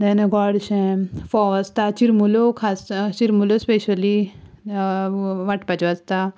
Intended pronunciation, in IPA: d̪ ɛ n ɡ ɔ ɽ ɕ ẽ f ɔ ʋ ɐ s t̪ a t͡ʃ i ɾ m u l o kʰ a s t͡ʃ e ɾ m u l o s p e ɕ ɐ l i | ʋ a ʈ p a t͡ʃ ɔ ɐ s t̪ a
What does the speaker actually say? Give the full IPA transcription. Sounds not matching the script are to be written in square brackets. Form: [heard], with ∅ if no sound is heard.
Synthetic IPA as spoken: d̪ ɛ n ɡ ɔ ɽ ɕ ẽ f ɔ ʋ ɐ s t̪ a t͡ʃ i ɾ m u l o kʰ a s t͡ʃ [i] ɾ m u l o s p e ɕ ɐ l i | ʋ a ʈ p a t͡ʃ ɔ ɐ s t̪ a